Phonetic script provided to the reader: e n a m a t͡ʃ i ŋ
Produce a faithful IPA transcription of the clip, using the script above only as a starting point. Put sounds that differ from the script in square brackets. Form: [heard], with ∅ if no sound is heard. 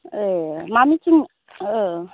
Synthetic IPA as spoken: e [m] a m [i] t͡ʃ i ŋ